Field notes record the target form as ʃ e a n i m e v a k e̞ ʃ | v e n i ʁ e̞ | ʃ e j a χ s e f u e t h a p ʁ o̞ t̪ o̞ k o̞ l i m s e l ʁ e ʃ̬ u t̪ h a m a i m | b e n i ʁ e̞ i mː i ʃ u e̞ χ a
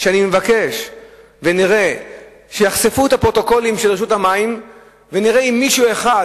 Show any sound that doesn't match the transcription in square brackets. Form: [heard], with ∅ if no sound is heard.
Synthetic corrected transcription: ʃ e a n i m e v a k e̞ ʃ | v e n i ʁ e̞ | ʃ e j a χ s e f u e t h a p ʁ o̞ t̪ o̞ k o̞ l i m [ʃ] e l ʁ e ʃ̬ u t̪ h a m a i m | [v] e n i ʁ e̞ i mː i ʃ u e̞ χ a